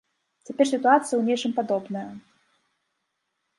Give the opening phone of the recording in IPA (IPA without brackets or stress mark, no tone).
t͡sʲ